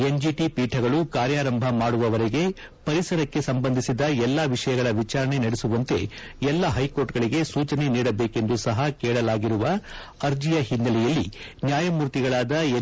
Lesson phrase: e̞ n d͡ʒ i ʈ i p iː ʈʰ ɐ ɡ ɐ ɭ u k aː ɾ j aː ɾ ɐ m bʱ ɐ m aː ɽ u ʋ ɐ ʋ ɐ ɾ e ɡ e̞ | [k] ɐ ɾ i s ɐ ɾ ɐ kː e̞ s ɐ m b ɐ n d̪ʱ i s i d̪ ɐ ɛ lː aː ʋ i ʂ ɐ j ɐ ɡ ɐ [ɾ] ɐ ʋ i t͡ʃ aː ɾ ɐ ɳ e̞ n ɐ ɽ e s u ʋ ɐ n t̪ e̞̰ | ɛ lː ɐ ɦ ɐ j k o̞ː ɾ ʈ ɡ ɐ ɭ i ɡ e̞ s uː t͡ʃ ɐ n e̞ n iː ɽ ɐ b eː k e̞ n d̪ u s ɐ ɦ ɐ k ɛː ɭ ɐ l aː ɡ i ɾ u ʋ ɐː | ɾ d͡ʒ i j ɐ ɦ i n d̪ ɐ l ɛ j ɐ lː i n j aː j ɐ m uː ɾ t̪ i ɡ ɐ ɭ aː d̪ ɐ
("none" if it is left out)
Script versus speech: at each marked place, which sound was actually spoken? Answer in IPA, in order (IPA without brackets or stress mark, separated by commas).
p, ɭ